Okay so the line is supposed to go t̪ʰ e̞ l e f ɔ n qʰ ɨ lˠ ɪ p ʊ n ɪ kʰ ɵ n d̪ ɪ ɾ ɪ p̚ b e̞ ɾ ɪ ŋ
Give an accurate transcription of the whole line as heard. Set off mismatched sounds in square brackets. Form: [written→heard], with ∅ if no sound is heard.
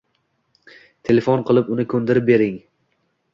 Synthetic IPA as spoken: t̪ʰ e̞ l e f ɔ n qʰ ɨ lˠ ɪ p ʊ n ɪ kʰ ɵ n d̪ ɪ ɾ ɪ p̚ b e̞ ɾ ɪ ŋ